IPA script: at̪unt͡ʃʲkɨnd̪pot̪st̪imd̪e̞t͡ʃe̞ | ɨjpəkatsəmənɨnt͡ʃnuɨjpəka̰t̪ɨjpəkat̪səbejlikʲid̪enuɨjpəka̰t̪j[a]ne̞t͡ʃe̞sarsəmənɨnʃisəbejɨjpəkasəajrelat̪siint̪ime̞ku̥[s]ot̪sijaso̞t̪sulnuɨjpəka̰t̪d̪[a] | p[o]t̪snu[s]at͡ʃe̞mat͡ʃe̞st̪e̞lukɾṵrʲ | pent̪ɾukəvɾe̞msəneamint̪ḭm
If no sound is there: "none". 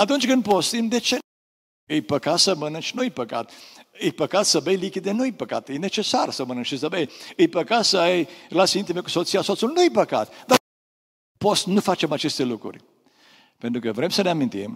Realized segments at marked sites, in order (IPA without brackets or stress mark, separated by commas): e, s, a, o, f